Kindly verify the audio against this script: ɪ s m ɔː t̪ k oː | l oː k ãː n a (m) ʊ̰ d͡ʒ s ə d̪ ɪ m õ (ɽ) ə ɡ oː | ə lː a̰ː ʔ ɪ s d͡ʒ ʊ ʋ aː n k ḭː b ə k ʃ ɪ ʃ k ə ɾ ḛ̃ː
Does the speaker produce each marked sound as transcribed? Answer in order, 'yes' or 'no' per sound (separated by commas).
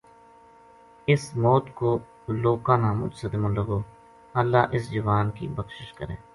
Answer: yes, no